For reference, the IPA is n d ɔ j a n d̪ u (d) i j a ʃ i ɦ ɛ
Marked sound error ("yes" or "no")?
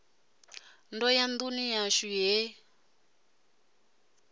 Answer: yes